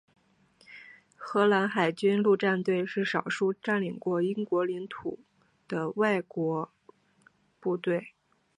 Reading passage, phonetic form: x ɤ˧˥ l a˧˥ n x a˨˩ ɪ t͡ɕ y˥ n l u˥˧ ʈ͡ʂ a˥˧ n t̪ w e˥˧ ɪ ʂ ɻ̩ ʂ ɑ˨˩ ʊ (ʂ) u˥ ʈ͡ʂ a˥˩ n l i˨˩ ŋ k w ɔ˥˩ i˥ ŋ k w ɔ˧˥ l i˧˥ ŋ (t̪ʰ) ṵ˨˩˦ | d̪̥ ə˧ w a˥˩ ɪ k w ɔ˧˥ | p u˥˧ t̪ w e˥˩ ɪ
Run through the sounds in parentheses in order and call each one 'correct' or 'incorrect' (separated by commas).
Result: correct, correct